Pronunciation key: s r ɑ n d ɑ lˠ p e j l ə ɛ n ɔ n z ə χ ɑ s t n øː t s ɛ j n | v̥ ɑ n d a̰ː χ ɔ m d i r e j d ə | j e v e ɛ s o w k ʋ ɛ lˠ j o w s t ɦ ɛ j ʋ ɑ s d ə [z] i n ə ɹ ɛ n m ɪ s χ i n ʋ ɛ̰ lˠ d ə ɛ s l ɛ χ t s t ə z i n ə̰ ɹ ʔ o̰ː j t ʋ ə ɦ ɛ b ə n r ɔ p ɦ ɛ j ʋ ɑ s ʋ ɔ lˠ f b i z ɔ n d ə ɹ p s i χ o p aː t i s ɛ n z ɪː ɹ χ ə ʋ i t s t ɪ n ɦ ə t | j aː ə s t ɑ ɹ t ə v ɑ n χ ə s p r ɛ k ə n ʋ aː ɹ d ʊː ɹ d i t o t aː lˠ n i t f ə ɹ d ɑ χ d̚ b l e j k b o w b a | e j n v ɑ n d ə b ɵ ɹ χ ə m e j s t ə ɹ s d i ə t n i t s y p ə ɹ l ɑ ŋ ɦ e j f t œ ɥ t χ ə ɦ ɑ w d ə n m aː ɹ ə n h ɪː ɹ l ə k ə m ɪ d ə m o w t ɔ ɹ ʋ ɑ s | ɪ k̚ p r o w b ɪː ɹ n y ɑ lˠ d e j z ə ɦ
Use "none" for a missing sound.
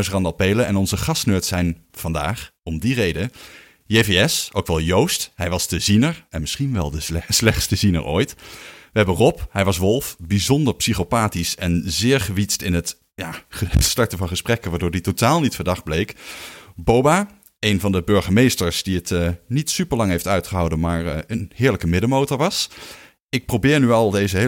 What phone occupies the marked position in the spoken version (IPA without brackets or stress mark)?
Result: z